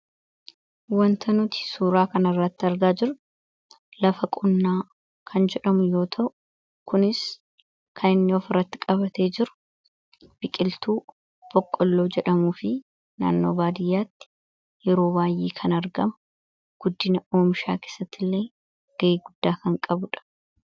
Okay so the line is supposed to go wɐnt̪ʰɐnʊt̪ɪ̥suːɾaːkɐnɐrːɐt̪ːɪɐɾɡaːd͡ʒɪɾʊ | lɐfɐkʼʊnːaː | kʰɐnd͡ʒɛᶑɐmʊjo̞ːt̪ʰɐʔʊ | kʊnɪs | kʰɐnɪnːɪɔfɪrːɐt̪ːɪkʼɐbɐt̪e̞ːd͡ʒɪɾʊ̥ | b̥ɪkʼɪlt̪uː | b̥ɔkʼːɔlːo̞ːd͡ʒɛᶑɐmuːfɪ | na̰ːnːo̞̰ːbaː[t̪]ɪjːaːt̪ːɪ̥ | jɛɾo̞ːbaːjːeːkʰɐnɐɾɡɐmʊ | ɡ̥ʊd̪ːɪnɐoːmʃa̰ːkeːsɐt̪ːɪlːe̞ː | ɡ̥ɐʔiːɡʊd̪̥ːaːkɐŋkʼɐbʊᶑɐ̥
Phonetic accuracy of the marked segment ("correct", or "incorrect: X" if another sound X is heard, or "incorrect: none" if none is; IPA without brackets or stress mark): incorrect: d̪